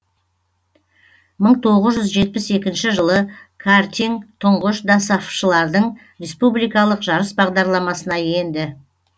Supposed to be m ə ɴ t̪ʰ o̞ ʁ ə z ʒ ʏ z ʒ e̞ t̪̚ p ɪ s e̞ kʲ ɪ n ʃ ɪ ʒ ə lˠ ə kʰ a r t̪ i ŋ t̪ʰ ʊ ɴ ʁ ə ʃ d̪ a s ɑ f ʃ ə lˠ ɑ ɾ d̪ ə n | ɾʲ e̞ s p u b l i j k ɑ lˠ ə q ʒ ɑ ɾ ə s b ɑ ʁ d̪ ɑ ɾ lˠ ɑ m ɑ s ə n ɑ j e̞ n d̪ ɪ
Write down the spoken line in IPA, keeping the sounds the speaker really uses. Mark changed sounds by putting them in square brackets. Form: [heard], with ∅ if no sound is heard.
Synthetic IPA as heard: m ə ɴ t̪ʰ o̞ ʁ ə z ʒ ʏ z ʒ e̞ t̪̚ p ɪ s e̞ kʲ ɪ n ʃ ɪ ʒ ə lˠ ə kʰ a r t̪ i ŋ t̪ʰ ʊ ɴ ʁ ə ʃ d̪ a s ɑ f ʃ ə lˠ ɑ ɾ d̪ ə [ɴ] | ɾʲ e̞ s p u b l i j k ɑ lˠ ə q ʒ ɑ ɾ ə s b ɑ ʁ d̪ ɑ ɾ lˠ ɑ m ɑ s ə n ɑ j e̞ n d̪ ɪ